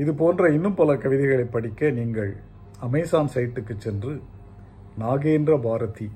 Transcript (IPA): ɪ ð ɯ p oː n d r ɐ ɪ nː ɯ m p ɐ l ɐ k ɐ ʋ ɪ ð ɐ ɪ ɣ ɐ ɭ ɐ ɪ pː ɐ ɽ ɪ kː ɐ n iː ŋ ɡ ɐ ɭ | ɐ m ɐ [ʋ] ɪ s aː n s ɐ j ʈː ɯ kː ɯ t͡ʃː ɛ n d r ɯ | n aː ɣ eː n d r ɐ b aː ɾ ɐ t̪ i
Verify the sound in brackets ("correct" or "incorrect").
incorrect